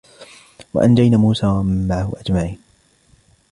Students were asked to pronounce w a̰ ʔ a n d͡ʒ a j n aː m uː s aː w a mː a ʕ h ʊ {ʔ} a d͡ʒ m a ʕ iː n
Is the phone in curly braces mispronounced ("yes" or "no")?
no